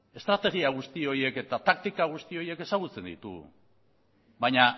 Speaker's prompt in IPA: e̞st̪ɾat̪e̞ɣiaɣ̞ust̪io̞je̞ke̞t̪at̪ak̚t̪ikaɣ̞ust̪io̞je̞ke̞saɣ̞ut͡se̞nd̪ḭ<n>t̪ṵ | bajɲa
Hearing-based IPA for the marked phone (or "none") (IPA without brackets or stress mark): none